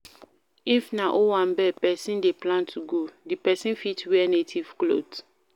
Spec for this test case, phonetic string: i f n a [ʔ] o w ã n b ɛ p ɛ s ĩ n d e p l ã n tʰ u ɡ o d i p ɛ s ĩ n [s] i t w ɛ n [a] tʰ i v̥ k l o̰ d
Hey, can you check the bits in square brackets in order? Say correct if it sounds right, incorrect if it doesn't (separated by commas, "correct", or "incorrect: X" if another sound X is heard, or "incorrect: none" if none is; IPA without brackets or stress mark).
correct, incorrect: f, incorrect: e